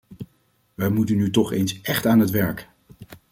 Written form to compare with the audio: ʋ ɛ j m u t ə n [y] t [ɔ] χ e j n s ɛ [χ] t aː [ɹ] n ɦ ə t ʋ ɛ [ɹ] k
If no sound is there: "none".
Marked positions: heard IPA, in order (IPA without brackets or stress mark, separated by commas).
y, ɔ, χ, none, ɹ